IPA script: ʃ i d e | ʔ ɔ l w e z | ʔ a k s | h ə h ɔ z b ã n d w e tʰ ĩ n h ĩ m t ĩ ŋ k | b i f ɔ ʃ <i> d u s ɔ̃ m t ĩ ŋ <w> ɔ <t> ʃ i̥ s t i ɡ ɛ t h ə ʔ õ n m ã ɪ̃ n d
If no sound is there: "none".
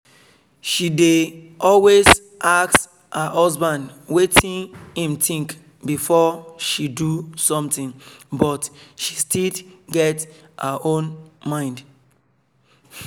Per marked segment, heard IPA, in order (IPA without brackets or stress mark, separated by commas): i, b, t